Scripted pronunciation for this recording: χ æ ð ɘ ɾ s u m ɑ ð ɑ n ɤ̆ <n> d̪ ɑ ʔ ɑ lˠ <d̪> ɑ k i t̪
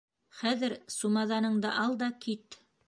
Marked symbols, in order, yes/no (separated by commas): no, yes